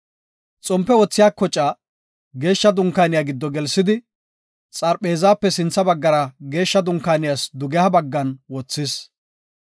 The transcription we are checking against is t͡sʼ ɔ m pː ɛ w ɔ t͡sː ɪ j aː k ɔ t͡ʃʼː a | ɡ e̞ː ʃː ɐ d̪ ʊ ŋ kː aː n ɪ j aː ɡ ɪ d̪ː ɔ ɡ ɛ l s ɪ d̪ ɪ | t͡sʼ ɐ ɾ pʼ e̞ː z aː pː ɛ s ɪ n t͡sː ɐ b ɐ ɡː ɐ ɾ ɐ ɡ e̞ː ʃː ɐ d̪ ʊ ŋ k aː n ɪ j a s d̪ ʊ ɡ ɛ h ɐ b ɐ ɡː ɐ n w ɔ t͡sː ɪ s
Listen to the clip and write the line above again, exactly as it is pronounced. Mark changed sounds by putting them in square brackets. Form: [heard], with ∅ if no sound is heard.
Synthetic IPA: t͡sʼ ɔ m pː ɛ w ɔ t͡sː ɪ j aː k ɔ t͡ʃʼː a | ɡ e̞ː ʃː ɐ d̪ ʊ ŋ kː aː n ɪ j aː ɡ ɪ d̪ː ɔ ɡ ɛ l s ɪ d̪ ɪ | t͡sʼ ɐ ɾ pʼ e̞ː z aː pː ɛ s ɪ n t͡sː ɐ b ɐ ɡː ɐ ɾ ɐ ɡ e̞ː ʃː ɐ d̪ ʊ ŋ k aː n ɪ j a s d̪ ʊ ɡ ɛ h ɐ b ɐ ɡː ɐ n w ɔ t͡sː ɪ s